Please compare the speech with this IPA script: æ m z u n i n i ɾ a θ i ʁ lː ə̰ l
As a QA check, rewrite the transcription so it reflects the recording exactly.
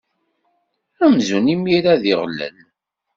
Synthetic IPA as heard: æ m z u n i m i ɾ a ð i ʁ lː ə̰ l